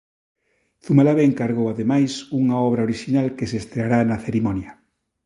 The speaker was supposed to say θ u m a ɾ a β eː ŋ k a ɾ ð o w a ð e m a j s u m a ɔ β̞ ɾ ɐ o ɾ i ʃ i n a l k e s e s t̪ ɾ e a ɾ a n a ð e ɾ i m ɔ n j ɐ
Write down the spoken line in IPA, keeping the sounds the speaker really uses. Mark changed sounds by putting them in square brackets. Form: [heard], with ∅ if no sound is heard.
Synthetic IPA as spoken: θ u m a [l] a β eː ŋ k a ɾ [ɣ] o w a ð e m a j s u [ŋ] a ɔ β̞ ɾ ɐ o ɾ i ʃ i n a l k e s e s t̪ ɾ e a ɾ a n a [θ] e ɾ i m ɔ n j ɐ